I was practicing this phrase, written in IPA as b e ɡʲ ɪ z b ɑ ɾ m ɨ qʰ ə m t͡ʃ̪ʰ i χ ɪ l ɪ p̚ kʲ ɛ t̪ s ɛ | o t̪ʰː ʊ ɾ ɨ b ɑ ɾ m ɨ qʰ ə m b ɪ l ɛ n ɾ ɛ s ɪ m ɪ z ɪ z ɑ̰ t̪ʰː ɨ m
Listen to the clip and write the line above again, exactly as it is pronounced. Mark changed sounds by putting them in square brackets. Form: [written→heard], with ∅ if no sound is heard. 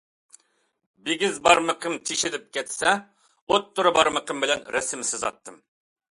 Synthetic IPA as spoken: b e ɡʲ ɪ z b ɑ ɾ m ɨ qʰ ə m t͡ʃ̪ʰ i [χ→ʃ] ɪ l ɪ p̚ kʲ ɛ t̪ s ɛ | o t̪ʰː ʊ ɾ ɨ b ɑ ɾ m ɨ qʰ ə m b ɪ l ɛ n ɾ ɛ s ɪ m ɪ [z→s] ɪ z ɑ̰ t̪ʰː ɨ m